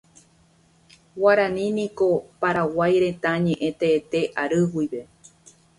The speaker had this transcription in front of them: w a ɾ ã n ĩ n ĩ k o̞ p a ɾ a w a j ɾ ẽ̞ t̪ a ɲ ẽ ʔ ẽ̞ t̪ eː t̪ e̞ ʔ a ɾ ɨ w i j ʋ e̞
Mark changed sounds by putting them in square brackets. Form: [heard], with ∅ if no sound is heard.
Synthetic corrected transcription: w a ɾ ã n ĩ n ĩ k o̞ p a ɾ a w a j ɾ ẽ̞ t̪ a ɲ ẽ ʔ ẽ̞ t̪ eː t̪ e̞ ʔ a ɾ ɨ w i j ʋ e̞

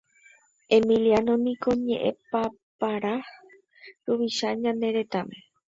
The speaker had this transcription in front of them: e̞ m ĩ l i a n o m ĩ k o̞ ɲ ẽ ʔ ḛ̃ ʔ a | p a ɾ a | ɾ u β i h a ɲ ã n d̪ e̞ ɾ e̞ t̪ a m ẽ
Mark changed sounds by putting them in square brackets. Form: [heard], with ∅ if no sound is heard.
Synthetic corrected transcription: e̞ m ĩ l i a n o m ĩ k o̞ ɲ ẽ ʔ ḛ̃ [p] a | p a ɾ a | ɾ u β i [ʃ] a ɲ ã n d̪ e̞ ɾ e̞ t̪ a m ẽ

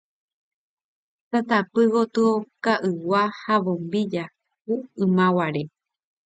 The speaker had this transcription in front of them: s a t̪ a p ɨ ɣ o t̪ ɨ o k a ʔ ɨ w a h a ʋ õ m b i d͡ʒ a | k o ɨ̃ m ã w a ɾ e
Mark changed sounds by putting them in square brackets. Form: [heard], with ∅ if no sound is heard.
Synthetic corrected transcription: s a t̪ a p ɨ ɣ o t̪ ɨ o k a ʔ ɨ w a h a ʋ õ m b i d͡ʒ a | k [u] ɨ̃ m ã w a ɾ e

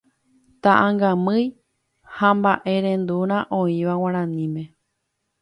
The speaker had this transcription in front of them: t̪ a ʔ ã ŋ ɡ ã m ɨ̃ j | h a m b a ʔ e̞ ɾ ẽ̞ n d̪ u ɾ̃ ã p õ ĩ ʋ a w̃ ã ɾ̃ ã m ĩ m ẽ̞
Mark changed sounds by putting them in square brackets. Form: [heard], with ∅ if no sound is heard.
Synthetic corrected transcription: t̪ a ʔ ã ŋ ɡ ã m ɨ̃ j | h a m b a ʔ e̞ ɾ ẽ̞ n d̪ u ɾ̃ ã [ʔ] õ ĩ ʋ a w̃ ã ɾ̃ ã [n] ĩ m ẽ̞

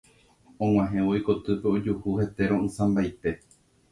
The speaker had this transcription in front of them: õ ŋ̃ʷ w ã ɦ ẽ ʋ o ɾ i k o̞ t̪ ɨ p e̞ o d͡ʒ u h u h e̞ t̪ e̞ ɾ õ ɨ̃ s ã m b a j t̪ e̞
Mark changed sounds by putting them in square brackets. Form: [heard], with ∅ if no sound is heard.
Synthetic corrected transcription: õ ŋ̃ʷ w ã ɦ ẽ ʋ o [∅] i k o̞ t̪ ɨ p e̞ o d͡ʒ u h u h e̞ t̪ e̞ ɾ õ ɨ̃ s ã m b a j t̪ e̞

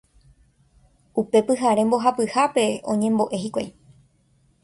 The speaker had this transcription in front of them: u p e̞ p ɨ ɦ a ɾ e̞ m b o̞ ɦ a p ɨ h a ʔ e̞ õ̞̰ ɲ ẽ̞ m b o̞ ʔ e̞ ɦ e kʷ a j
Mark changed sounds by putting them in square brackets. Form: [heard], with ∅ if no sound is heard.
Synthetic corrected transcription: u p e̞ p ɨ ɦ a ɾ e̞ m b o̞ ɦ a p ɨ h a [p] e̞ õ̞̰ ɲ ẽ̞ m b o̞ ʔ e̞ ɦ [i] kʷ a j

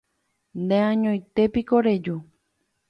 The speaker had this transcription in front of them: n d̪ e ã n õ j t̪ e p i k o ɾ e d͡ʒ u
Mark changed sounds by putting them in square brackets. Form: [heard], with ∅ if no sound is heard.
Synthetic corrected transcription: n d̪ e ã [ɲ] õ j t̪ e p i k o ɾ e d͡ʒ u

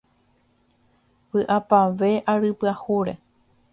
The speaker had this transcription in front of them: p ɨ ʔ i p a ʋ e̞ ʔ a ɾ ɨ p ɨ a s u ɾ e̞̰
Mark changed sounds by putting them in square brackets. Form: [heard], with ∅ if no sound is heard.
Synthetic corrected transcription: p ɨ ʔ [a] p a ʋ e̞ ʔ a ɾ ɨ p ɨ a [h] u ɾ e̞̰

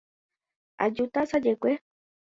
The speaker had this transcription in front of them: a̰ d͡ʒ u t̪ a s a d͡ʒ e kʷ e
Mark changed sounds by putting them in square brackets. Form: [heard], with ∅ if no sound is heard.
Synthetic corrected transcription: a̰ d͡ʒ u t̪ a s a d͡ʒ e kʷ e

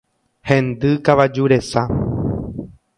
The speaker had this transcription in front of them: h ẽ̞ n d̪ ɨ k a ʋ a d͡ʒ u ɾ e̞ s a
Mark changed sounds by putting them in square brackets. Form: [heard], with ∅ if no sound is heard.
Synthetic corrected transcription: h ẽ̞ n d̪ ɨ k a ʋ a d͡ʒ u ɾ e̞ s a

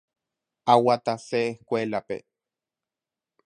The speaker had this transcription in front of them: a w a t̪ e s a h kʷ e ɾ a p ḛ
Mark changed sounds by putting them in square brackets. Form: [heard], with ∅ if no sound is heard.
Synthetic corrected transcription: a w a t̪ [a] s [e] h kʷ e [l] a p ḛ

